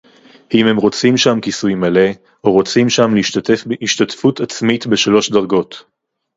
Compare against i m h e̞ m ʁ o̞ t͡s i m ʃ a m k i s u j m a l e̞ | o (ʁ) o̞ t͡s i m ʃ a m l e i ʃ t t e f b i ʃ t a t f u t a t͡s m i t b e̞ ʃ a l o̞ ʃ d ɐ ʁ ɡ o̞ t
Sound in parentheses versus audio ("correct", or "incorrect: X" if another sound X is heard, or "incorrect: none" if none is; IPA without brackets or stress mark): correct